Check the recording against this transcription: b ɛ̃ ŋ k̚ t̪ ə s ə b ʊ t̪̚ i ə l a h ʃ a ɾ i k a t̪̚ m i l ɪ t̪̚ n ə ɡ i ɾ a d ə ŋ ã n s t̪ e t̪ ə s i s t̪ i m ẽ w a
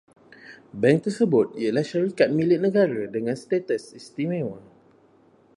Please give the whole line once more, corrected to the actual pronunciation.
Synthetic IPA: b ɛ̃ ŋ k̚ t̪ ə s ə b ʊ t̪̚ i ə l a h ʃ a ɾ i k a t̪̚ m i l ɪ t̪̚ n ə ɡ a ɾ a d ə ŋ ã n s t̪ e t̪ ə s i s t̪ i m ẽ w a